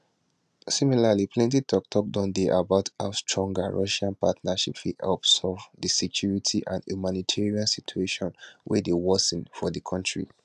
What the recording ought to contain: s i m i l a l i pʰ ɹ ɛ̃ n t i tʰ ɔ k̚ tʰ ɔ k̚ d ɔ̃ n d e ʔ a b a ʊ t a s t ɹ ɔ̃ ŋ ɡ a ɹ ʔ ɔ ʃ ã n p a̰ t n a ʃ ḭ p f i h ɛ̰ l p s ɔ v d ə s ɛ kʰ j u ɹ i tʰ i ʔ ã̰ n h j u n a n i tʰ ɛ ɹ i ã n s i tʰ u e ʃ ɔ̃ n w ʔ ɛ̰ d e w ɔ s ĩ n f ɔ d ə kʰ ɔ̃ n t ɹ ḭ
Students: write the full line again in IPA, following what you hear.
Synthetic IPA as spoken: s i m i l a l i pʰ l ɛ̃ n t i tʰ ɔ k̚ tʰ ɔ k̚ d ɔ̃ n d e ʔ a b a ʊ t a s t ɹ ɔ̃ ŋ ɡ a ɹ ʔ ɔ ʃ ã n p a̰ t n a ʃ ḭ p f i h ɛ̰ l p s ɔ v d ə s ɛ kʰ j u ɹ i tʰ i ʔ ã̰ n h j u m a n i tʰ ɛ ɹ i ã n s i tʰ u e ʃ ɔ̃ n w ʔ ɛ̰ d e w ɔ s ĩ n f ɔ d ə kʰ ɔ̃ n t ɹ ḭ